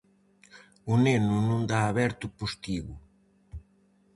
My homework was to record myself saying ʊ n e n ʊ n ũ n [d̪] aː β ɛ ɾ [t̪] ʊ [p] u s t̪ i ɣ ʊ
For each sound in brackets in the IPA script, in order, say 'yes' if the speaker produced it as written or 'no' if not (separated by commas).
yes, yes, yes